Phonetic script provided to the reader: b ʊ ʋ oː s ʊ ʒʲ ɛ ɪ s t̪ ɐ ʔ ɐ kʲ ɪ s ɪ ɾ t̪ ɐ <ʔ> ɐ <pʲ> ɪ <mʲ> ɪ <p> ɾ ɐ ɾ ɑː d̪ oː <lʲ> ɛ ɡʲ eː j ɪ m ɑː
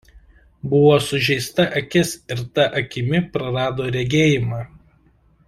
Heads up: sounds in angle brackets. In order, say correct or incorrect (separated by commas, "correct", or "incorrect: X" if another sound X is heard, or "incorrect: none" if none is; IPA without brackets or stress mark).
correct, incorrect: kʲ, correct, correct, incorrect: ɾʲ